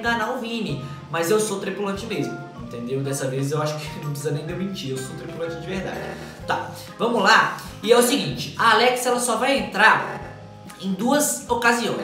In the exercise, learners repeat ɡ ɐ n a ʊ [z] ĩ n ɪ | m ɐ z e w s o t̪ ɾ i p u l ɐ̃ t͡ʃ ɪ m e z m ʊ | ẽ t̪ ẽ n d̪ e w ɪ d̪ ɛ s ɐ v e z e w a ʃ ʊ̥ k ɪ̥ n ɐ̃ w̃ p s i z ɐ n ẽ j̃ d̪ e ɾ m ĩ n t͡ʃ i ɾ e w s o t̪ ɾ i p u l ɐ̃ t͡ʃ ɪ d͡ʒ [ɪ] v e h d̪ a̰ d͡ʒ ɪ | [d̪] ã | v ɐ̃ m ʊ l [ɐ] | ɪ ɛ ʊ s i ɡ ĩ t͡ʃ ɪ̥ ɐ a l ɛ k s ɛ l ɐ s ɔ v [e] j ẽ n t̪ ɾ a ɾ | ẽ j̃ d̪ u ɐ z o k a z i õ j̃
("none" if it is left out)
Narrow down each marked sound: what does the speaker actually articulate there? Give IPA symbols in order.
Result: v, ɪ, t̪, a, a

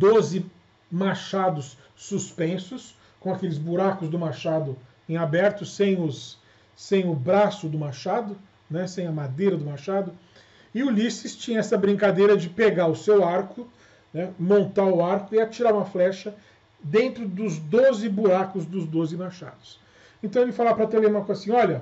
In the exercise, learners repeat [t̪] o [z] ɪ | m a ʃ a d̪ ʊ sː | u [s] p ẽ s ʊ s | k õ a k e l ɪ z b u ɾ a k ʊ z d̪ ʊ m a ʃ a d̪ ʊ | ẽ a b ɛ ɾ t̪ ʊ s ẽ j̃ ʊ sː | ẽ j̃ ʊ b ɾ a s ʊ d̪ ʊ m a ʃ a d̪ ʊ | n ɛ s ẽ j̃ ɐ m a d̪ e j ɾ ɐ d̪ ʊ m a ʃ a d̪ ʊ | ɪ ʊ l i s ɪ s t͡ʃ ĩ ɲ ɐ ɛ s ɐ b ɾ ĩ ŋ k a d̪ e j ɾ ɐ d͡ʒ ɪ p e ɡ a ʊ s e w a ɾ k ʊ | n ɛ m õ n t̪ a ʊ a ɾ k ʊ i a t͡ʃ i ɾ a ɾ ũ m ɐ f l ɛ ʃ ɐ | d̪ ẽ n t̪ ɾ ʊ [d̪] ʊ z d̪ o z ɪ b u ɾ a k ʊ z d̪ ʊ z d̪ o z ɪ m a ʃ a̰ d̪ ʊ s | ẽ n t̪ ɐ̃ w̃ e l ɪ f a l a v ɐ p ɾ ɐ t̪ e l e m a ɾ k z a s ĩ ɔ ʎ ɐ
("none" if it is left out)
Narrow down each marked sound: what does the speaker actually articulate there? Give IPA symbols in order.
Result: d̪, z, s, d̪

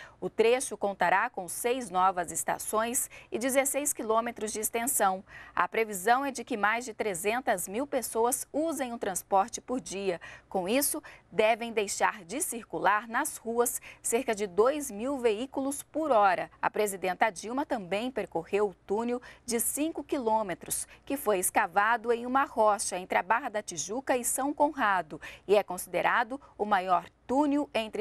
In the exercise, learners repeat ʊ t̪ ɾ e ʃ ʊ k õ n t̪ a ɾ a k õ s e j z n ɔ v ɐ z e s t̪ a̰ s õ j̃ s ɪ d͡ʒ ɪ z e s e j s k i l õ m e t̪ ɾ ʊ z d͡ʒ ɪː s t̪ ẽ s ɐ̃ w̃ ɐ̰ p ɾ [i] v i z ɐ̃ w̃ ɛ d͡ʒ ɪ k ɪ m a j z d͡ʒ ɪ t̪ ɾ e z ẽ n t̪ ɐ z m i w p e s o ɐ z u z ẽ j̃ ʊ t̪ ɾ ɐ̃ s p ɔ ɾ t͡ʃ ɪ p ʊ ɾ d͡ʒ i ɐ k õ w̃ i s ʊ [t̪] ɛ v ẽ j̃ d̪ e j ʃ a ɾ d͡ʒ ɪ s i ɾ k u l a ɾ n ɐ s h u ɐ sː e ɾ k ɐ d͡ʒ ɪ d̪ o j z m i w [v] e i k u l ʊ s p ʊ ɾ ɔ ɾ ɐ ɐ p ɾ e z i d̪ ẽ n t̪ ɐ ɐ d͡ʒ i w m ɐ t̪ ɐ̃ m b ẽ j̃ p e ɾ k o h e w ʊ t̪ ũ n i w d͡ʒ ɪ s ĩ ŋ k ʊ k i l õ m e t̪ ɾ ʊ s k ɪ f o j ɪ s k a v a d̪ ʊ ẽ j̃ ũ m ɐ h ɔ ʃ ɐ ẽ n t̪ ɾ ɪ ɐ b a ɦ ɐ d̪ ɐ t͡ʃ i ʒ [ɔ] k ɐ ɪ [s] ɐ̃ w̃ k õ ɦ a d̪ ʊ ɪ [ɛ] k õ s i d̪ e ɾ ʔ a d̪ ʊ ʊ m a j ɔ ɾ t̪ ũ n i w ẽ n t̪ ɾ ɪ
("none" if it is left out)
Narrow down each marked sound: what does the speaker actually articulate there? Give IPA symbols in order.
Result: e, d̪, v, u, s, ɛ

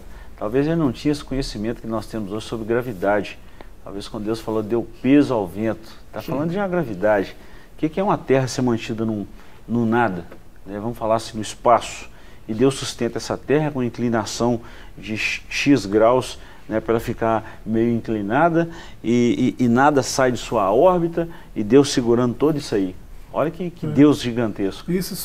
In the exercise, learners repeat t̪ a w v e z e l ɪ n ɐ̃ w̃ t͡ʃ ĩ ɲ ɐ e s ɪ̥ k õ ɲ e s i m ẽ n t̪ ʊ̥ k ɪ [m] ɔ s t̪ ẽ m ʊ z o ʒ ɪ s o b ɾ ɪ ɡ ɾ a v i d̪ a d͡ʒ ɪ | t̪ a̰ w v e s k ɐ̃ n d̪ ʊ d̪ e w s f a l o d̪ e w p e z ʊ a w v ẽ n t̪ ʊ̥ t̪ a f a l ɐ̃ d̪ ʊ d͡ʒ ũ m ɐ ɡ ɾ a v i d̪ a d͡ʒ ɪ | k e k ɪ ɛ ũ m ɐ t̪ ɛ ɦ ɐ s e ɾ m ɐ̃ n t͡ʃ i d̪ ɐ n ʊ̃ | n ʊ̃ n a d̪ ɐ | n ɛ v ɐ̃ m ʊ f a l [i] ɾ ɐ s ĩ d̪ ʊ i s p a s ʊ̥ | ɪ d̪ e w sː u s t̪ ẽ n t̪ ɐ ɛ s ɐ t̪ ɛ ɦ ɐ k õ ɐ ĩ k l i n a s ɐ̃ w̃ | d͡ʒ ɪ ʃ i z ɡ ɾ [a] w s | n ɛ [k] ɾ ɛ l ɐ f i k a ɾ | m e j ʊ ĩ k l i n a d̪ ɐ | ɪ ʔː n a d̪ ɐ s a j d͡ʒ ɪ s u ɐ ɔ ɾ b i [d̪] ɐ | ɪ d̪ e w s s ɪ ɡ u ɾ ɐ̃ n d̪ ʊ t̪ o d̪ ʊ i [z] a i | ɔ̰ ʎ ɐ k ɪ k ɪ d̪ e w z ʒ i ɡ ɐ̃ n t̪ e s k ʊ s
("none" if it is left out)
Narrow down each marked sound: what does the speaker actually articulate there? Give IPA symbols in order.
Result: n, a, a, p, t̪, s

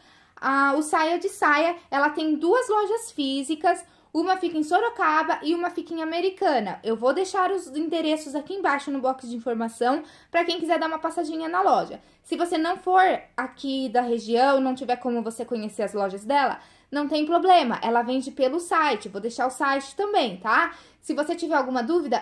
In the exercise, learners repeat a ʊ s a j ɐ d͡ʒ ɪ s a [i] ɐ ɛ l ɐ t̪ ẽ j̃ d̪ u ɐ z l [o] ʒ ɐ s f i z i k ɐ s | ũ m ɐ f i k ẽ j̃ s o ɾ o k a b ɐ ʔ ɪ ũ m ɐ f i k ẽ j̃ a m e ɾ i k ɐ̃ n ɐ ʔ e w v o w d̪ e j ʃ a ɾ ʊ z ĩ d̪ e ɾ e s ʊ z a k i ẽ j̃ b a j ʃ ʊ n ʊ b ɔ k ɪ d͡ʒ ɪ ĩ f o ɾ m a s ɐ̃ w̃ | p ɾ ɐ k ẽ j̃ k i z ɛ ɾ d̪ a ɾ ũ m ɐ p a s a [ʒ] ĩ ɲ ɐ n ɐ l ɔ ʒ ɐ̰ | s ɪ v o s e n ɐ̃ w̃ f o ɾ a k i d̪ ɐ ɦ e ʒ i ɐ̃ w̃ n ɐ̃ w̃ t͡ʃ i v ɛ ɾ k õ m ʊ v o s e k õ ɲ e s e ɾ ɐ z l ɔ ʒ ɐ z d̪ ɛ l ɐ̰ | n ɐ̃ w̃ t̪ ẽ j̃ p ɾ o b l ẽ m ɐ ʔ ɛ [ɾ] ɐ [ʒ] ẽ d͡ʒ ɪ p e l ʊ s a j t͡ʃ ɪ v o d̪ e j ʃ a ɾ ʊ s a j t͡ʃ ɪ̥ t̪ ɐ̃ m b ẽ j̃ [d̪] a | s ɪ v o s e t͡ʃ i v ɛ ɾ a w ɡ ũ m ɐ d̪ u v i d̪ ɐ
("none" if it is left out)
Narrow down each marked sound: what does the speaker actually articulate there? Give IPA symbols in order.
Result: j, ɔ, ʒ, l, v, t̪

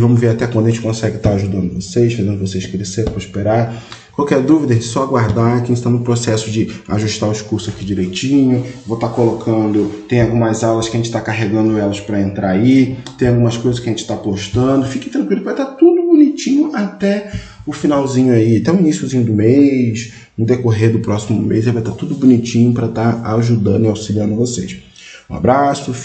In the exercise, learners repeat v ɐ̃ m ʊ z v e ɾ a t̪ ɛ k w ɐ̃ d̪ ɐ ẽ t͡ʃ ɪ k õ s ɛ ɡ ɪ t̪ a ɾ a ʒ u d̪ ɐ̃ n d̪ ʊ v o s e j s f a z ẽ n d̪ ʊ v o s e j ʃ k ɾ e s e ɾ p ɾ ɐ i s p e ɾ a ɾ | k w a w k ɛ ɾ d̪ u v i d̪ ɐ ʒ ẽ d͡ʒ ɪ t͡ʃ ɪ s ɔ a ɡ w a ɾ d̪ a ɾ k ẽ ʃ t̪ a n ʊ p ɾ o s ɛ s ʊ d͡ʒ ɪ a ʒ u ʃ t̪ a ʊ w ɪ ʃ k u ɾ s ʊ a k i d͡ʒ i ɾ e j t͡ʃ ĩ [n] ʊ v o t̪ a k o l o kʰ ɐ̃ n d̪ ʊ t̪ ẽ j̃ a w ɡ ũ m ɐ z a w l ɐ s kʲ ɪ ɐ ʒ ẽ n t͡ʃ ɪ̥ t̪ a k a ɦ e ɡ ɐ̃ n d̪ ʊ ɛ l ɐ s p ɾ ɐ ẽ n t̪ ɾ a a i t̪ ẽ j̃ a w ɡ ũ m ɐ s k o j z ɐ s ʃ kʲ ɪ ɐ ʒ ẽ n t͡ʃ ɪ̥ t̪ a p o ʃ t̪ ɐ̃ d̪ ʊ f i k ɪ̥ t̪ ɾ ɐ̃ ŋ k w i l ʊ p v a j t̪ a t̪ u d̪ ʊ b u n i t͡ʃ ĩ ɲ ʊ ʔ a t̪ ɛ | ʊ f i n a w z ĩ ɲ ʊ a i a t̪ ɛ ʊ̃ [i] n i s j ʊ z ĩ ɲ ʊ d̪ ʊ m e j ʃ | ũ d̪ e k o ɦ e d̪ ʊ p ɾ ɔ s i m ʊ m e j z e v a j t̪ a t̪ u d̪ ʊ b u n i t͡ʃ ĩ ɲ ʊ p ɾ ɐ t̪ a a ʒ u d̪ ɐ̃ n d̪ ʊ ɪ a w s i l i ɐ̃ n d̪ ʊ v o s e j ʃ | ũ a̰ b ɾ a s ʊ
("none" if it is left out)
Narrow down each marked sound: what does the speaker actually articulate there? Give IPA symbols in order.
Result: ɲ, i

